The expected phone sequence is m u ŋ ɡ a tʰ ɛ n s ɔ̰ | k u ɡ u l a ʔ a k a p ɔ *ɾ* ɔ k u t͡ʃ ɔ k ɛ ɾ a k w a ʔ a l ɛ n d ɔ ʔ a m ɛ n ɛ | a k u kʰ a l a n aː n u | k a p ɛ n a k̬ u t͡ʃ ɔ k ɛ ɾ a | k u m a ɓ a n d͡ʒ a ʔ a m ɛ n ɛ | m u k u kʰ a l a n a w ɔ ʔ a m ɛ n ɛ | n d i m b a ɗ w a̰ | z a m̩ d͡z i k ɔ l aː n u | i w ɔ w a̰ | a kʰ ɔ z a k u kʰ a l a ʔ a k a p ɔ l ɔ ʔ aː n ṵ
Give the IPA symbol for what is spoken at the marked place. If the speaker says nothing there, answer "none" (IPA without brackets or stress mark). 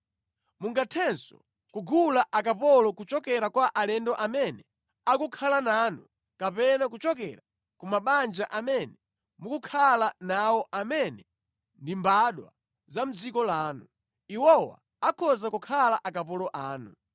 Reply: l